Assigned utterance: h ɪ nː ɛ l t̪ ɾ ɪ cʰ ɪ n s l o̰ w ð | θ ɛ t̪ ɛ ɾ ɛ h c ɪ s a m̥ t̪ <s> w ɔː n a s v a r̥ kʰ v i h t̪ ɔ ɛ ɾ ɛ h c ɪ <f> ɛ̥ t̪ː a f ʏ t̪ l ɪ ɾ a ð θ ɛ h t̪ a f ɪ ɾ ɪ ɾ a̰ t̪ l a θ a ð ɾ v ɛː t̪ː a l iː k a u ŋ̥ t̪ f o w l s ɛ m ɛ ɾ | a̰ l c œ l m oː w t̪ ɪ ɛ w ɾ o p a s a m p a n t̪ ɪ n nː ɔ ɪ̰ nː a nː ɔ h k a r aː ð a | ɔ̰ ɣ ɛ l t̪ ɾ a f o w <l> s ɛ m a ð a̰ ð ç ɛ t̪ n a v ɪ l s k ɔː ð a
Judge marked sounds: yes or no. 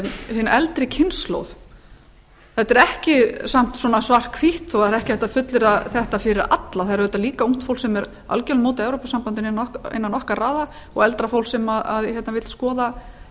yes, no, yes

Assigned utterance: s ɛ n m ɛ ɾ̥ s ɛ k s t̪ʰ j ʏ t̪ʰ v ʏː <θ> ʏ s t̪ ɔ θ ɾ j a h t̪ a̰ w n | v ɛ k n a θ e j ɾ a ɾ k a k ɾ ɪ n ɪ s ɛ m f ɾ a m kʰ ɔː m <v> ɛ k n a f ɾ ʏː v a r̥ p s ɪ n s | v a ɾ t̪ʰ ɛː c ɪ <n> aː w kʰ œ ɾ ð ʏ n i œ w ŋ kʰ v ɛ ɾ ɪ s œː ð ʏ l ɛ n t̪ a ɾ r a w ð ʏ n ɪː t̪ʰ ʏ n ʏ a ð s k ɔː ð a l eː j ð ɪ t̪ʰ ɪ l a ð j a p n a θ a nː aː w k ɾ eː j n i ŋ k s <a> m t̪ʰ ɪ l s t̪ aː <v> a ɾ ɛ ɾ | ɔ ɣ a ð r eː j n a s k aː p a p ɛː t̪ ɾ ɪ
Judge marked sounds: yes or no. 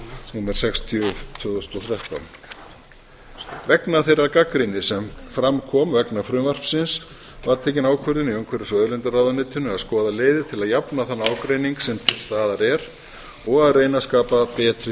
no, yes, yes, no, no

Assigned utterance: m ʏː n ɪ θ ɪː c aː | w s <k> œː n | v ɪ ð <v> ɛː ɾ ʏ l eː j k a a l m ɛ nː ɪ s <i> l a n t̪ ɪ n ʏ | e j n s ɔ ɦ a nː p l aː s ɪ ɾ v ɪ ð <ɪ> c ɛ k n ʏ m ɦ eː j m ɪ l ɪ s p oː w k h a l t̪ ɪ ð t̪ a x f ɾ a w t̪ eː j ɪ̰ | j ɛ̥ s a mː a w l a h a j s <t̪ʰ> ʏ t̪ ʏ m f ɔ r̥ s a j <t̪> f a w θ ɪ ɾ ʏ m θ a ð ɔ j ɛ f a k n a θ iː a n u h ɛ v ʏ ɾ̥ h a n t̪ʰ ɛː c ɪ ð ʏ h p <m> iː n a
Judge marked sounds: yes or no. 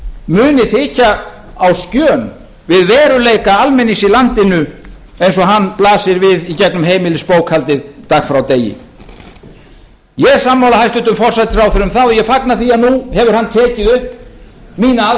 no, yes, yes, no, no, yes, yes

